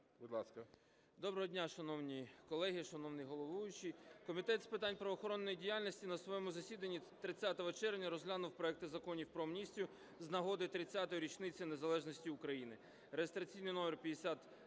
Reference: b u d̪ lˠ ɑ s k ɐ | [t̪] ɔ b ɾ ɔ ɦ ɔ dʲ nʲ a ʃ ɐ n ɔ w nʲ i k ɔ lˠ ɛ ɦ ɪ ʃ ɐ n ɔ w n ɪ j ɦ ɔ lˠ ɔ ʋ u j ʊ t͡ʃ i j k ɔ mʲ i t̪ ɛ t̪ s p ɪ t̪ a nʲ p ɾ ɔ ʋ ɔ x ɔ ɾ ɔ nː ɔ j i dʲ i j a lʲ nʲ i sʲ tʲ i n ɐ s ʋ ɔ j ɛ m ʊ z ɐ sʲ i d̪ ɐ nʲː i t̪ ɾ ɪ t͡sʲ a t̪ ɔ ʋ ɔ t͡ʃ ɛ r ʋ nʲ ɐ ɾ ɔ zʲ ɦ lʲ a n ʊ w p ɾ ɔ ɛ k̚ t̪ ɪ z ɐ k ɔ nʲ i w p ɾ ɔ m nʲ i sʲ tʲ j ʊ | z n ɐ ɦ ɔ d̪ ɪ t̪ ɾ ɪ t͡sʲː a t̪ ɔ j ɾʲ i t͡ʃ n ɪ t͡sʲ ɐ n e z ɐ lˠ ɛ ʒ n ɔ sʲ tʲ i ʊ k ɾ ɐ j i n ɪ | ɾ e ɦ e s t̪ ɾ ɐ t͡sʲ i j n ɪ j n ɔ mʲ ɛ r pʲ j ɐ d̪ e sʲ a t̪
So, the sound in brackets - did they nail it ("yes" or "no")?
no